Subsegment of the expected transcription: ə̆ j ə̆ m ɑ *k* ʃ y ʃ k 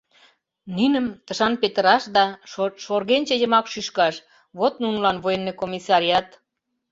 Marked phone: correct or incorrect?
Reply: correct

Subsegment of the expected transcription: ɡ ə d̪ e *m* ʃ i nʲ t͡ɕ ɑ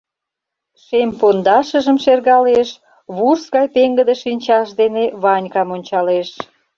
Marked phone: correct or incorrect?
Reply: incorrect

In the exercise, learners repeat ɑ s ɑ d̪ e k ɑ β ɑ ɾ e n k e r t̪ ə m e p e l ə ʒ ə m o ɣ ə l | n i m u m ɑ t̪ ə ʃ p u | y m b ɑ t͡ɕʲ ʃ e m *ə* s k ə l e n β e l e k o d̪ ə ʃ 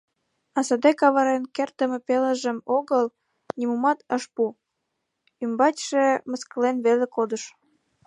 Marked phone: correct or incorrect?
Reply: correct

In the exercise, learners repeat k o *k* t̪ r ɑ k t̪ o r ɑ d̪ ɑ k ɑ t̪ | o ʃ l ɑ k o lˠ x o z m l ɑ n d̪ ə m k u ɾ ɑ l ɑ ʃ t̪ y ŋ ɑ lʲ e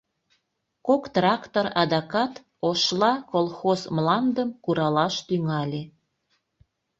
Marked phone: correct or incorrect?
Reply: correct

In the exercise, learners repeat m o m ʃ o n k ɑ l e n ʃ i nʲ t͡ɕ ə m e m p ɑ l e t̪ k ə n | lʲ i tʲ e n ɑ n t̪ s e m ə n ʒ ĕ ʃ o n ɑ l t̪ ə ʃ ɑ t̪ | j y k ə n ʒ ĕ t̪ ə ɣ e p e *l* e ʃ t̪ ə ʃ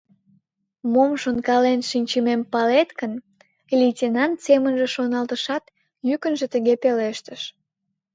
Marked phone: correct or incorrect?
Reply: correct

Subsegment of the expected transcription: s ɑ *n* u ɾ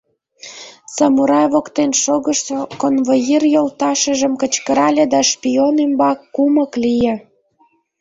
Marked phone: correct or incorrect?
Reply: incorrect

